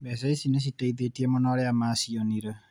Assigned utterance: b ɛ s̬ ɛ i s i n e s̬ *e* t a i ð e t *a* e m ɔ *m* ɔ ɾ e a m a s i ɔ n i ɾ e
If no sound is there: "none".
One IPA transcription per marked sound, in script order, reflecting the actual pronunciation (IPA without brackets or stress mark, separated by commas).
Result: i, i, n